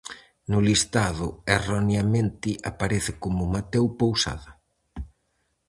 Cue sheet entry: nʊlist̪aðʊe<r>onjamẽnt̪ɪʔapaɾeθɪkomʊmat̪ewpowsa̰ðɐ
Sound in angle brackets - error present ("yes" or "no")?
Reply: no